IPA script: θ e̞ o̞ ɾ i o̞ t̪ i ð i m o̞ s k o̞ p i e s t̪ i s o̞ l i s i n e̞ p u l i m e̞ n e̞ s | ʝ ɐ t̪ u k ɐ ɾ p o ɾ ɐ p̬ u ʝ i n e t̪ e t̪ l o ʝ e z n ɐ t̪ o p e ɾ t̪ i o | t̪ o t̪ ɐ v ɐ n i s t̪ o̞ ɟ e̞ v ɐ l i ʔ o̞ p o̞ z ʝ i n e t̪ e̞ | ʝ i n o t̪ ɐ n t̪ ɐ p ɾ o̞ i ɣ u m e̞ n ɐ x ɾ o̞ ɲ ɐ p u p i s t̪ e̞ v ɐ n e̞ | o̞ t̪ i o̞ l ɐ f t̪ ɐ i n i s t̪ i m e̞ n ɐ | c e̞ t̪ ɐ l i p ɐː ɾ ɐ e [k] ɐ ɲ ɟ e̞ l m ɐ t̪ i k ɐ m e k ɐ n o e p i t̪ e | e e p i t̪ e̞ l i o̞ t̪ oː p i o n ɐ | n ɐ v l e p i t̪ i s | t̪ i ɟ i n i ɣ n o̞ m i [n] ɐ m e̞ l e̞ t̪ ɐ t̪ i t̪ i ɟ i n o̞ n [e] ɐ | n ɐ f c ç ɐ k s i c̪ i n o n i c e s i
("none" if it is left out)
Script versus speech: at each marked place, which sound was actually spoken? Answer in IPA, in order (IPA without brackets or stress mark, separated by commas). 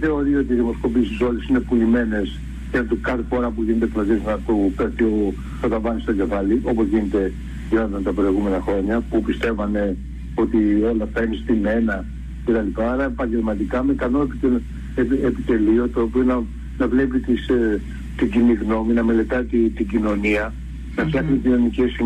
p, n, i